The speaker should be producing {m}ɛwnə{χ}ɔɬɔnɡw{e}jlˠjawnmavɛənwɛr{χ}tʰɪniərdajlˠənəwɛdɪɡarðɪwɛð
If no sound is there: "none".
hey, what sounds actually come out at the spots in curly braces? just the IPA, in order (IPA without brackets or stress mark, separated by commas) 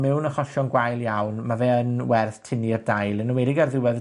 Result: m, χ, a, θ